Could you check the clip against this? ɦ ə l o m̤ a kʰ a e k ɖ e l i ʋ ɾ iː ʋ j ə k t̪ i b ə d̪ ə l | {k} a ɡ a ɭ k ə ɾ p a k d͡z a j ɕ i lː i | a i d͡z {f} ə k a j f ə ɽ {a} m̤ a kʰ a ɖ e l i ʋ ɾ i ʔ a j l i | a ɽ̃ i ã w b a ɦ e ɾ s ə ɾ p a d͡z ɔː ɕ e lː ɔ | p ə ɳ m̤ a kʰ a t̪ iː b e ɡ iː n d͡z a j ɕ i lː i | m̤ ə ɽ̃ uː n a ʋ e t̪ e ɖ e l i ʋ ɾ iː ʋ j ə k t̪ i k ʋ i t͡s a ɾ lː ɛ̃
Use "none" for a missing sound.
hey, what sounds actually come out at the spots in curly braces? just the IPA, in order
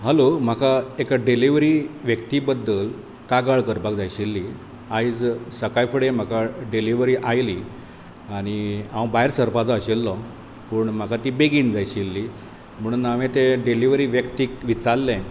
k, s, e

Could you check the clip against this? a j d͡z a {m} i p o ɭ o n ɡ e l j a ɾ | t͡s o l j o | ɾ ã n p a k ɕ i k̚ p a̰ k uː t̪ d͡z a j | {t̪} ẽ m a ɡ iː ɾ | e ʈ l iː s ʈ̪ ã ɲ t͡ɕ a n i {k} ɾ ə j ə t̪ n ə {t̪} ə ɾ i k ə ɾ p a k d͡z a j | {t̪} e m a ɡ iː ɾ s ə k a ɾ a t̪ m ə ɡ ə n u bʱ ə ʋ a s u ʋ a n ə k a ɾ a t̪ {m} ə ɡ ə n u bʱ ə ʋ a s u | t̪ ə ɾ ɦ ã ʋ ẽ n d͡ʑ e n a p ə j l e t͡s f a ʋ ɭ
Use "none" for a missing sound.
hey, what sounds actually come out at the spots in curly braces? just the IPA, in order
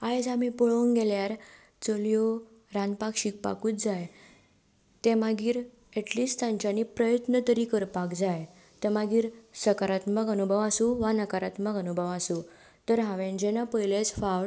m, t̪, p, t̪, t̪, m

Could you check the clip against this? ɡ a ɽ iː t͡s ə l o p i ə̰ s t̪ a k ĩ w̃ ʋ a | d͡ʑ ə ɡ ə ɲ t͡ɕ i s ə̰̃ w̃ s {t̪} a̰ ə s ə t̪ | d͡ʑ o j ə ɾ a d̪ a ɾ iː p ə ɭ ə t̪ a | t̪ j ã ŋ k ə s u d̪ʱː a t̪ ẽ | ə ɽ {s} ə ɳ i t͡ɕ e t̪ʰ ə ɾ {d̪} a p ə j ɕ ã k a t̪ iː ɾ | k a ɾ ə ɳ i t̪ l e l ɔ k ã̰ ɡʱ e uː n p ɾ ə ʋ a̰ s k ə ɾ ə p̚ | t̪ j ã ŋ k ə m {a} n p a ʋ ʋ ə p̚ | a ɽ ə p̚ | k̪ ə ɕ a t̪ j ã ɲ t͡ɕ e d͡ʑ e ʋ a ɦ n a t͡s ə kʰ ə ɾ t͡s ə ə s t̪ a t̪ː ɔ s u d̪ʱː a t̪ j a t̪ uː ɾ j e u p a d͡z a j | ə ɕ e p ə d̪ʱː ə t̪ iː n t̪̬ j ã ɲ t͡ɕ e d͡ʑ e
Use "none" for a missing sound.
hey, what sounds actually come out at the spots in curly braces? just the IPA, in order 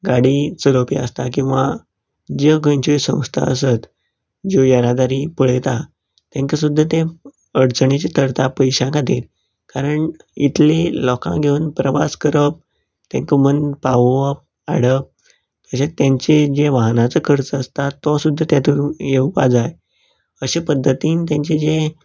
t̪ʰ, t͡s, t̪, ə

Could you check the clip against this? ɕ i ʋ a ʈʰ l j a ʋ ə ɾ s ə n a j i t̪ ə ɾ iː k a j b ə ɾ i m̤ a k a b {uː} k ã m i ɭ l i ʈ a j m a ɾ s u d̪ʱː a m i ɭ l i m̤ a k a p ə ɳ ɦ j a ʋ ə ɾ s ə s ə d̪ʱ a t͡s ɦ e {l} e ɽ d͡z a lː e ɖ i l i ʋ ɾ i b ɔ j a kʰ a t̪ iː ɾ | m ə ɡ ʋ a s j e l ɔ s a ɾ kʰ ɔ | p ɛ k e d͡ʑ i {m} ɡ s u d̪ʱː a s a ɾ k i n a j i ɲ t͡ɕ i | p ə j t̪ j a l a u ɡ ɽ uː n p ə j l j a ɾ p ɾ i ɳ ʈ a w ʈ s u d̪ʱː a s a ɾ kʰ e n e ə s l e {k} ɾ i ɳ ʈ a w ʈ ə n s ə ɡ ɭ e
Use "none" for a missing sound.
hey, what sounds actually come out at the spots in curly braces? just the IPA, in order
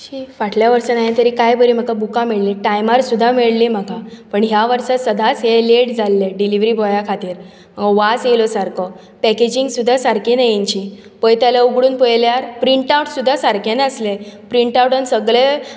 u, l, ŋ, p

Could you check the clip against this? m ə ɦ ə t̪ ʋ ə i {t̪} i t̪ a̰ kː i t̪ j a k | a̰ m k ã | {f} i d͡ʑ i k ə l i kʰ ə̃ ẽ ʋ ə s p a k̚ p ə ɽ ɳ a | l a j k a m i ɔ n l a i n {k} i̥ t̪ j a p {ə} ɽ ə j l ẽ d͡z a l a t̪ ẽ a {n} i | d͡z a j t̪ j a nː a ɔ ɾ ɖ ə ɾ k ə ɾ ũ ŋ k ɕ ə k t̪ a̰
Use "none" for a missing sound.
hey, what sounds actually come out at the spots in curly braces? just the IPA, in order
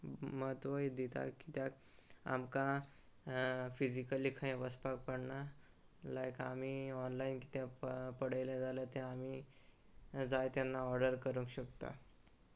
d̪, f, k, ə, m

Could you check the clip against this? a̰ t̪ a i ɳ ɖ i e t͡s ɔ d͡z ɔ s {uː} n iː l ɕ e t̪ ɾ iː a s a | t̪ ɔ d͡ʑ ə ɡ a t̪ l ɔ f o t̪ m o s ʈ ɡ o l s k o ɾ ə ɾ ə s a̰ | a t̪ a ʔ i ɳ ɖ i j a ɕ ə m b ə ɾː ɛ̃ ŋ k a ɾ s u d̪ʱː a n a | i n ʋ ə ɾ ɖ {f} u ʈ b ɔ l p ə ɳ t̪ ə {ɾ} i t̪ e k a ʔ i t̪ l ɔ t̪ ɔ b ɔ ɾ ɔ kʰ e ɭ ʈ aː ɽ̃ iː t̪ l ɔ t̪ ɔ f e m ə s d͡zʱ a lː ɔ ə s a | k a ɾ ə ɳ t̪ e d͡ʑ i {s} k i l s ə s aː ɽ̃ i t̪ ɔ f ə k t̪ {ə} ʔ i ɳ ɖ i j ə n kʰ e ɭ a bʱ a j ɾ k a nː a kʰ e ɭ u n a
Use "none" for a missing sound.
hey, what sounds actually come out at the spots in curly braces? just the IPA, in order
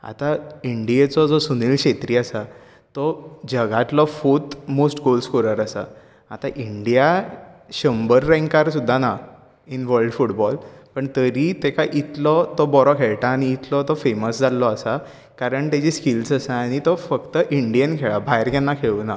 u, f, ɾ, s, ə

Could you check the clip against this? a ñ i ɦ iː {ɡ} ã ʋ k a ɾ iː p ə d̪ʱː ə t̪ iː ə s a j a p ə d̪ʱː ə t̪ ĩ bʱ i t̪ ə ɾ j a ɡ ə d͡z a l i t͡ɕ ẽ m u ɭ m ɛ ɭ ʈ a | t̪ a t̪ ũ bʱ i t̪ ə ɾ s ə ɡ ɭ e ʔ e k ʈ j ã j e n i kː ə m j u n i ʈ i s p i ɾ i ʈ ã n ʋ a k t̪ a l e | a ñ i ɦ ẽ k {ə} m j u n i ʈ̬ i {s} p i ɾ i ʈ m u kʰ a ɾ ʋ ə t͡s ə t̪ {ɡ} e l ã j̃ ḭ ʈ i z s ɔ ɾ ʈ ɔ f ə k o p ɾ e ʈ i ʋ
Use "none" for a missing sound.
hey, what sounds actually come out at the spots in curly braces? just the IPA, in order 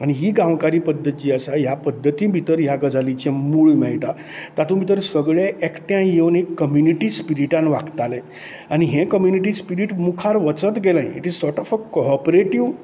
ɡ, ə, s, ɡ

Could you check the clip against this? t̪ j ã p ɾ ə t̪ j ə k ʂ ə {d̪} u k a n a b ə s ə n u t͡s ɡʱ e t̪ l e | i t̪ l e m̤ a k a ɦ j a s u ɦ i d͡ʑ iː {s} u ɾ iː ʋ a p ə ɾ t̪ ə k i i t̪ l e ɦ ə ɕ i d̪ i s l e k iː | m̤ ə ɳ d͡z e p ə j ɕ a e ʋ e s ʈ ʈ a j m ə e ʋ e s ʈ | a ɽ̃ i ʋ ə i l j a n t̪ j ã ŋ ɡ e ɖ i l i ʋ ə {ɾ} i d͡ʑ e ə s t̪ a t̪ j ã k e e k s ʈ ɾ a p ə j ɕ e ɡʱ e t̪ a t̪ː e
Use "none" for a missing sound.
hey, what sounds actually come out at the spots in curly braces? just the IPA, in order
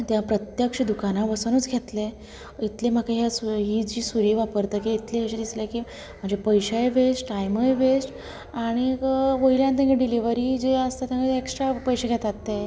d̪, s, ɾ

